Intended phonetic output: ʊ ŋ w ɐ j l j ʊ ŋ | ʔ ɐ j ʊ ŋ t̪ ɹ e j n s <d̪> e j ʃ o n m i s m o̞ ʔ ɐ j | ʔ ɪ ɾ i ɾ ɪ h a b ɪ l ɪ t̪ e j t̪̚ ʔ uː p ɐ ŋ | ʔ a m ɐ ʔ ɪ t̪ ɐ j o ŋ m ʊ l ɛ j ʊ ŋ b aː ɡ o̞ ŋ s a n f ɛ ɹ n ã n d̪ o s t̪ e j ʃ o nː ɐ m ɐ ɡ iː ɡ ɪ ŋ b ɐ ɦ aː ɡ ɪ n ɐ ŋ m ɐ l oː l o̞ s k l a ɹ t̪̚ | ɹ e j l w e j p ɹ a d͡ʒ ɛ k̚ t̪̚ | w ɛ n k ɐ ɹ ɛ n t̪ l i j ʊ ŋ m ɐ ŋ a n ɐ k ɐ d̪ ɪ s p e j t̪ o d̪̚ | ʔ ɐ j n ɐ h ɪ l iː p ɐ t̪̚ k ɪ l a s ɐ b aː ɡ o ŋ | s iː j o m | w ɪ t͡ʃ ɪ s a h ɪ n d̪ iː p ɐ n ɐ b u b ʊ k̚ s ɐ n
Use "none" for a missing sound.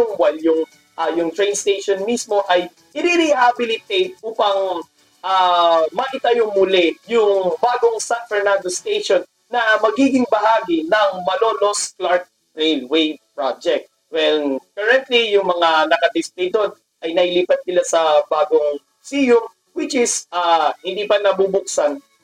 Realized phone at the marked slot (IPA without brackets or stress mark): t̪